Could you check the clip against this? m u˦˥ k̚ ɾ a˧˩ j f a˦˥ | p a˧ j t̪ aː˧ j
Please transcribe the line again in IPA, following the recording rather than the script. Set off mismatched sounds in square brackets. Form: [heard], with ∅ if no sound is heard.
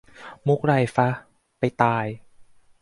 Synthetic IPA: m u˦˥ k̚ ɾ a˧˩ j f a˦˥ | p a˧ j t̪ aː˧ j

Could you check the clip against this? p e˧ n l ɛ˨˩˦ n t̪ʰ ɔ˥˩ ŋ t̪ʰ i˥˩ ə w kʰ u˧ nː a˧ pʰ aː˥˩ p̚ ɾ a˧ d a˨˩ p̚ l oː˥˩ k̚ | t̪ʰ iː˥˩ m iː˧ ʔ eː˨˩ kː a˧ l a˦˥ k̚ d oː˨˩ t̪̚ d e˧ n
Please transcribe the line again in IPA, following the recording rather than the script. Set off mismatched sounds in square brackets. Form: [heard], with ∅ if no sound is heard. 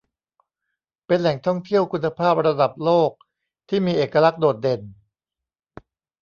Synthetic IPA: p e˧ n l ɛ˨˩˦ [ŋ] t̪ʰ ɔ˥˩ ŋ t̪ʰ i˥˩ ə w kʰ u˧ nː a˧ pʰ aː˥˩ p̚ ɾ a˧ d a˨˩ p̚ l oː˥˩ k̚ | t̪ʰ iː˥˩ m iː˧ ʔ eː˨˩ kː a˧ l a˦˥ k̚ d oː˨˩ t̪̚ d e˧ n

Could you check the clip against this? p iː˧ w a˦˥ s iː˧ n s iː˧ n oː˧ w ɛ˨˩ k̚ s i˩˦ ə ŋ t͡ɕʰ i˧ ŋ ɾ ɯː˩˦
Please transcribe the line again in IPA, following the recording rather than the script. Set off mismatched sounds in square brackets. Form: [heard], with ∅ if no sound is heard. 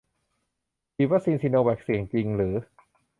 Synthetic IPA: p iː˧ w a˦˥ s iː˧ n s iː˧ n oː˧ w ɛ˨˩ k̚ s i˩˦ ə ŋ [t͡ɕ] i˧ ŋ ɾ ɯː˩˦

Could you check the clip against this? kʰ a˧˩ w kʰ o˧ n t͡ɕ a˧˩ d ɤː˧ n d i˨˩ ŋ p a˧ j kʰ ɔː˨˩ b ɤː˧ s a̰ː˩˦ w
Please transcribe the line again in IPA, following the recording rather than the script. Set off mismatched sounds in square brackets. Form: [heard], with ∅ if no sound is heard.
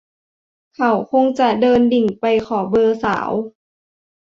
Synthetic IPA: kʰ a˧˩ w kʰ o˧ [ŋ] t͡ɕ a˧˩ d ɤː˧ n d i˨˩ ŋ p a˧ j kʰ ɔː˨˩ b ɤː˧ s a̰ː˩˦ w

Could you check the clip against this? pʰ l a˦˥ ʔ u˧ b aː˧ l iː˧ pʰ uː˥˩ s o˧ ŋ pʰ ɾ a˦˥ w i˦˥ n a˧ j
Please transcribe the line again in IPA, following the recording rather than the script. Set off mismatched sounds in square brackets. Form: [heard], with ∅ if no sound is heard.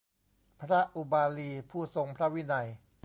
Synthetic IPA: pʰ [ɾ] a˦˥ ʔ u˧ b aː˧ l iː˧ pʰ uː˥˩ s o˧ ŋ pʰ ɾ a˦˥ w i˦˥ n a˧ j

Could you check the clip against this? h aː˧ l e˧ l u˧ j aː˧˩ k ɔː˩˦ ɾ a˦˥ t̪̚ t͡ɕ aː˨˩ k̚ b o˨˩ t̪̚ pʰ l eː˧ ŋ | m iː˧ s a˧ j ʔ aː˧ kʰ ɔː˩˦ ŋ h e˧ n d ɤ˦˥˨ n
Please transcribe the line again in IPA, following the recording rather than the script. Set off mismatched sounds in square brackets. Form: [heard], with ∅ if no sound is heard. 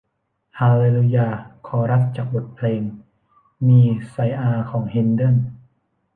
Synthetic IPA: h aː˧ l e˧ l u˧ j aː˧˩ [kʰ] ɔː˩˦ ɾ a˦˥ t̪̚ t͡ɕ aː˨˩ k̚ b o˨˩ t̪̚ pʰ l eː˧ ŋ | m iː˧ s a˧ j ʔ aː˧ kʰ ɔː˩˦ ŋ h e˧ n d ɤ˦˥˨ n

